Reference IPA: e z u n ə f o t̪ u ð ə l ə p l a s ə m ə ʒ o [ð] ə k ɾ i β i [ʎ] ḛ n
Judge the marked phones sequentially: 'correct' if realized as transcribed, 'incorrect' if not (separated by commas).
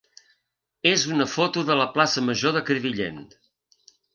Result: correct, correct